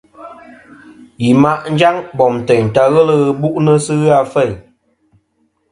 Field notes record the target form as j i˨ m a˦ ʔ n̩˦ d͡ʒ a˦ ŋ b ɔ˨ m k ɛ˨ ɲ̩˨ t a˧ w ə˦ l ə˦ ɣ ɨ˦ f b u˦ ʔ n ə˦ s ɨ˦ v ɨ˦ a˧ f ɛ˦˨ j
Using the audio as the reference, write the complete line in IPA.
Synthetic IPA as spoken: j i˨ m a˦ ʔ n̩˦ d͡ʒ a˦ ŋ b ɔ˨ m t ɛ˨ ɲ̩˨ t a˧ ɣ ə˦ l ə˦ ɣ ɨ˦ b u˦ ʔ n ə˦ s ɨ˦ ɣ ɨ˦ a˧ f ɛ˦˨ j